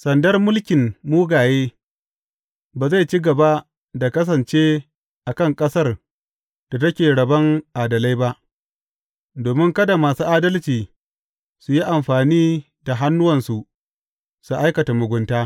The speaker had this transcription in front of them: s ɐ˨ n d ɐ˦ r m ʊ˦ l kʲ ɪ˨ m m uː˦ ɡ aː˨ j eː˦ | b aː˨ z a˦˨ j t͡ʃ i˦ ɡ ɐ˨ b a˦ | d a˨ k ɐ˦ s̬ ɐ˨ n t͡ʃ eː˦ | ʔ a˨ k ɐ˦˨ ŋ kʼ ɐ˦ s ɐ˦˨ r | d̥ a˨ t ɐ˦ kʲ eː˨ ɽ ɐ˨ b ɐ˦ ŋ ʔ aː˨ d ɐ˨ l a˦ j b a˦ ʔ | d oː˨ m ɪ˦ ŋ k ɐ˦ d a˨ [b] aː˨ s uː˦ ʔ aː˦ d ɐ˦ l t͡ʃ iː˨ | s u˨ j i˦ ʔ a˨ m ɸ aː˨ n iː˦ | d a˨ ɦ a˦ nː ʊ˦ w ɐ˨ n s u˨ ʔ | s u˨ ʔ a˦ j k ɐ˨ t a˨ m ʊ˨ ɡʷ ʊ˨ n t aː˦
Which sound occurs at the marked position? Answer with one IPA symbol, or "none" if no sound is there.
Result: m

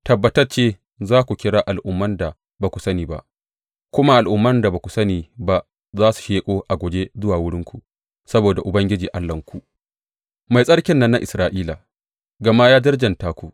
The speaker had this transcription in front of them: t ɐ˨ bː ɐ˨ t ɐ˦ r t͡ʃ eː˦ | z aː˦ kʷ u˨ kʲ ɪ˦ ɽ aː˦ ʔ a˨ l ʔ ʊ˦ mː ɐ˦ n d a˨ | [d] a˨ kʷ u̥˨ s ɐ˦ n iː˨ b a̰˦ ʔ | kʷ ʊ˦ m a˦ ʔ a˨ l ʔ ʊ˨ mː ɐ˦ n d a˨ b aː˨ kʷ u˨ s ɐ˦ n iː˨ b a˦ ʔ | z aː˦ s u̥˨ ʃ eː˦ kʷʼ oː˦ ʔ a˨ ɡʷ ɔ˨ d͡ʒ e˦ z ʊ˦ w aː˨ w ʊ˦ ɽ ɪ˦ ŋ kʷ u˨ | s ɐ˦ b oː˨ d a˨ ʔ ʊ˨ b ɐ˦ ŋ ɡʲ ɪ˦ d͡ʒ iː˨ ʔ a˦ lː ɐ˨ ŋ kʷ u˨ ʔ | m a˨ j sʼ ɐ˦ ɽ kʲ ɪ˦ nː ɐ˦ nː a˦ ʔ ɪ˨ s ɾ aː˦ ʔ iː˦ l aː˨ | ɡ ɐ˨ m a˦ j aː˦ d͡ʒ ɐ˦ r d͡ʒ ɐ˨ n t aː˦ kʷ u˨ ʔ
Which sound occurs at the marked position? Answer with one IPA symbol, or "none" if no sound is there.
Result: b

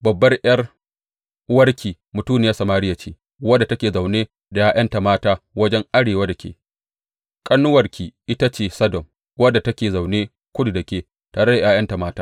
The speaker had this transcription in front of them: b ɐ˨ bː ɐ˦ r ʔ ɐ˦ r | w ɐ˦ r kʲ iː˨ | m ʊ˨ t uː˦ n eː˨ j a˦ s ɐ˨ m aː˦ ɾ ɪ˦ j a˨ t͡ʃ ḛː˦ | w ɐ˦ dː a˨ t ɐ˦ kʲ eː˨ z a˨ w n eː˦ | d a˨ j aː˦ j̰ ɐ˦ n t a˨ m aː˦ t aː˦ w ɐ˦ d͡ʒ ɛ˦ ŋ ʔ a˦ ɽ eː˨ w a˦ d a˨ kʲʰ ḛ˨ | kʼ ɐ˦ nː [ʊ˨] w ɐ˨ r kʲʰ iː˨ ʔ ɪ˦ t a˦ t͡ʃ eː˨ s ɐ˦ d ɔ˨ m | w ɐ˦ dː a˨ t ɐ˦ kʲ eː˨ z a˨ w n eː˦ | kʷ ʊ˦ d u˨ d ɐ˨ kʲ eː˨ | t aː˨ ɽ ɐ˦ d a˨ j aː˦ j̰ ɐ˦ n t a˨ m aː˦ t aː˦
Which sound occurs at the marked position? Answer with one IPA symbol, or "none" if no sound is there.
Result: ʊ˦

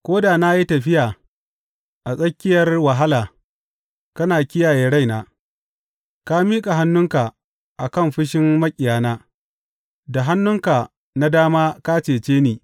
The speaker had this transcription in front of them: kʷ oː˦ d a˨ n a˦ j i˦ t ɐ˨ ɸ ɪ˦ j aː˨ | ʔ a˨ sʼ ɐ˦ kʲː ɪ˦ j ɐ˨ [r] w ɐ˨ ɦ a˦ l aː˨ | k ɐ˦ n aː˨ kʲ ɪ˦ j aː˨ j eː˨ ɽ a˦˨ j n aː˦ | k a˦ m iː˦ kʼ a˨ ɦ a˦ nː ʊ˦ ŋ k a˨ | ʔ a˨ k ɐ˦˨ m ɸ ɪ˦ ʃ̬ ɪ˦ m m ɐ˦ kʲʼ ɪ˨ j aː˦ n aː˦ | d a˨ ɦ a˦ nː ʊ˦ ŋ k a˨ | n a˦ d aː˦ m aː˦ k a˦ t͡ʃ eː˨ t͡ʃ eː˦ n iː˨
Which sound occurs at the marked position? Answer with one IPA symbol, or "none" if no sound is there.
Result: r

